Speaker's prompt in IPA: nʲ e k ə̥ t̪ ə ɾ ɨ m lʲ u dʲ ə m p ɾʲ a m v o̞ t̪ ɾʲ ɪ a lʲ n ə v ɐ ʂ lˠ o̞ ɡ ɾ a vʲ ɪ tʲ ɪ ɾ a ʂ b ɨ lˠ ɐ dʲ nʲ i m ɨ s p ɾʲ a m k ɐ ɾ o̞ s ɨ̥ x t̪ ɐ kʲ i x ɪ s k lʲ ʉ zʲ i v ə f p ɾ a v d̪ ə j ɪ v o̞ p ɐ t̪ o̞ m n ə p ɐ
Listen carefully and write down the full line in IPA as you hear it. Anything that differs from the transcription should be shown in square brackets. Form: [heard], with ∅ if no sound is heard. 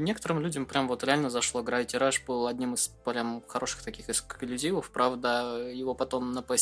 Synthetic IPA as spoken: nʲ e k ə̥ t̪ ə ɾ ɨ m lʲ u dʲ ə m p ɾʲ a m v o̞ t̪ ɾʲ ɪ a lʲ n ə [z] ɐ ʂ lˠ o̞ ɡ ɾ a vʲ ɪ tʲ ɪ ɾ a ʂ b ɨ lˠ ɐ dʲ nʲ i m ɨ s p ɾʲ a m [x] ɐ ɾ o̞ [ʂ] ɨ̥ x t̪ ɐ kʲ i x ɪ s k lʲ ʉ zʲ i v ə f p ɾ a v d̪ ə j ɪ v o̞ p ɐ t̪ o̞ m n ə p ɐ